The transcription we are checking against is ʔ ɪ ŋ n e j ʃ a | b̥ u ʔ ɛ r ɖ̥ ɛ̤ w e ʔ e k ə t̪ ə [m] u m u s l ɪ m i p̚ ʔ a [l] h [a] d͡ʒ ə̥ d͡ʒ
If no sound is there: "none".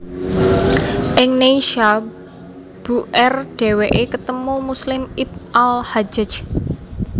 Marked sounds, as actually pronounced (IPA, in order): m, l, a

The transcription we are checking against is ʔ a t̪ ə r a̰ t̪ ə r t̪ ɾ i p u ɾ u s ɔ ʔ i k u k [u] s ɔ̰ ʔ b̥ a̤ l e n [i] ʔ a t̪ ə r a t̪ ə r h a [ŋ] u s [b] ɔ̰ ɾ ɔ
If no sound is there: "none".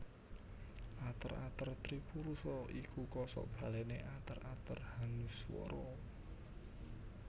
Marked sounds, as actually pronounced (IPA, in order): ɔ, e, n, w

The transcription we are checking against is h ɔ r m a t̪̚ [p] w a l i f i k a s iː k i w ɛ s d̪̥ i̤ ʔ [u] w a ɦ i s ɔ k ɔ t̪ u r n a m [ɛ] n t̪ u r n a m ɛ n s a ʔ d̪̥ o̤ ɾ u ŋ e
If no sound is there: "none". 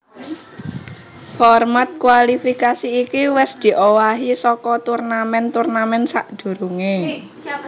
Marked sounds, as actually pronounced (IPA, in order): k, o, ɛ

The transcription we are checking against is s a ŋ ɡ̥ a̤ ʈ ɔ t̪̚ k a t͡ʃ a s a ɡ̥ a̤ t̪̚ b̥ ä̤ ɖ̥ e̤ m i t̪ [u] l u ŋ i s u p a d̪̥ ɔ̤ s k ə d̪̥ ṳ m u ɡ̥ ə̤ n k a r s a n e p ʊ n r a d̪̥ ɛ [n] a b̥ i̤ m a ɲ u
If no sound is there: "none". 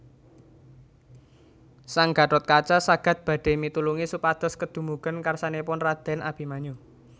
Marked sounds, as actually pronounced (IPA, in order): u, n

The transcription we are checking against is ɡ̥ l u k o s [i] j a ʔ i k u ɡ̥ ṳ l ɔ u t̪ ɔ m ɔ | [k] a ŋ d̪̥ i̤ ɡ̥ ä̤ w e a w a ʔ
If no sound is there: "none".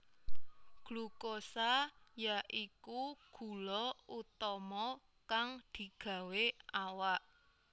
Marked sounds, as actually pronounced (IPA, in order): a, k

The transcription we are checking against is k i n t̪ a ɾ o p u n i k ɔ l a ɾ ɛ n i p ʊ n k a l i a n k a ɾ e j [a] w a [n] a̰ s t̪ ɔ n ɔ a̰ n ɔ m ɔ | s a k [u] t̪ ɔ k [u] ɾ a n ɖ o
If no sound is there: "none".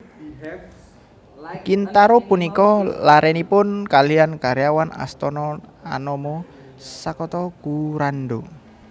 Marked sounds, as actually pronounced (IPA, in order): a, n, ɔ, u

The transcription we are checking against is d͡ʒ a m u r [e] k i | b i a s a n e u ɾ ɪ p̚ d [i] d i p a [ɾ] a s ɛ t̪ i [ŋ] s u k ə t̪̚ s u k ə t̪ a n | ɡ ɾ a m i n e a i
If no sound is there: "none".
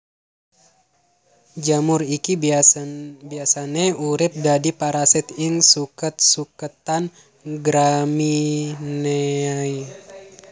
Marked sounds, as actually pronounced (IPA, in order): i, a, ɾ, ŋ

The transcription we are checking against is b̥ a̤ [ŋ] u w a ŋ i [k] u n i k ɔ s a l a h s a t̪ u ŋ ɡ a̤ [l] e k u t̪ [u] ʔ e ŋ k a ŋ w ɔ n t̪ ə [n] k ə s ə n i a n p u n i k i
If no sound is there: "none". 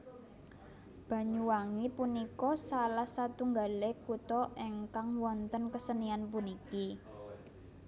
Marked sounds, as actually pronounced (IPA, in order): ɲ, p, l, ɔ, n

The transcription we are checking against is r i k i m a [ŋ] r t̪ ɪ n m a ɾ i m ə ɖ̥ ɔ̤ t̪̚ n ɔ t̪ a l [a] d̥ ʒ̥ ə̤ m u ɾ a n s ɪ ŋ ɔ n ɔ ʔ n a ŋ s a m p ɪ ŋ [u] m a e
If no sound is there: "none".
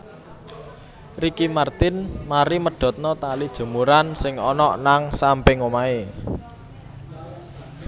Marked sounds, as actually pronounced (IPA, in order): none, i, o

